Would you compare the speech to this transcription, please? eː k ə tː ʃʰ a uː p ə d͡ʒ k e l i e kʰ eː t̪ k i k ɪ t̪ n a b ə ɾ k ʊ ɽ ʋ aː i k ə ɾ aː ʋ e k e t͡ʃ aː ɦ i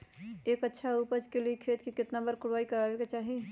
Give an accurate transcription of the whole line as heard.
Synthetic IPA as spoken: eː k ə tː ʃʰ a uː p ə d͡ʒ k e l i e kʰ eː t̪ k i k ɪ t̪ n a b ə ɾ k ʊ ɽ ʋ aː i k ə ɾ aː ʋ e k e t͡ʃ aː ɦ i